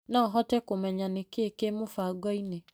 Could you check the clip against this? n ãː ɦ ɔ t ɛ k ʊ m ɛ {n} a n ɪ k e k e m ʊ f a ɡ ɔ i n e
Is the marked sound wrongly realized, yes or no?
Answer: yes